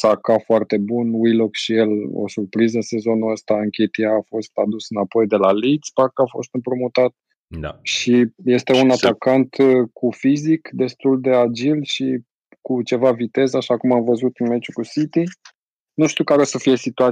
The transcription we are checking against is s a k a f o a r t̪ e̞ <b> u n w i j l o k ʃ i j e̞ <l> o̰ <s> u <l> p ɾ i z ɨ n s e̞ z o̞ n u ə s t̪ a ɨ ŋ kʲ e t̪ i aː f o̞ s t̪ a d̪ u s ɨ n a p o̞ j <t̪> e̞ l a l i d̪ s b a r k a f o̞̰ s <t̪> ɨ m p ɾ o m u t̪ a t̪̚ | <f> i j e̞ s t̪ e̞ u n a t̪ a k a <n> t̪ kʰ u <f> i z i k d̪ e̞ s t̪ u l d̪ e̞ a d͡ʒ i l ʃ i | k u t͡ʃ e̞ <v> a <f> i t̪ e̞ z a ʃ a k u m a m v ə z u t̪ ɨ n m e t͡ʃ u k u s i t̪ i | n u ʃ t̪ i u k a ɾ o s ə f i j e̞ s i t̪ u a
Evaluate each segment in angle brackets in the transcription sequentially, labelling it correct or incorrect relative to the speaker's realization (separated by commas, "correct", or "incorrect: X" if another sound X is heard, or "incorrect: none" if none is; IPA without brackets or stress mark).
correct, correct, correct, incorrect: r, incorrect: d̪, correct, incorrect: ʃ, correct, correct, correct, incorrect: v